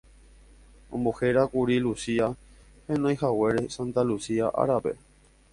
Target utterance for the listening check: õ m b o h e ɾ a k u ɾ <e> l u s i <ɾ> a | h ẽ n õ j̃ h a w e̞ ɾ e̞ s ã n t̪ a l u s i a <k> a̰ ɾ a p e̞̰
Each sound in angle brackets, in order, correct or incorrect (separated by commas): incorrect, incorrect, incorrect